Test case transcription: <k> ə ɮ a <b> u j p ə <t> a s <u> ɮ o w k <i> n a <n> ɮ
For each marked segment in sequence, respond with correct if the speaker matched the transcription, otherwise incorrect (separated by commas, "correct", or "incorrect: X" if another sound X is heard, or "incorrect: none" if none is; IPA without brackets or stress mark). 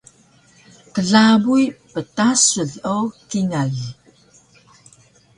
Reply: correct, correct, correct, correct, correct, incorrect: none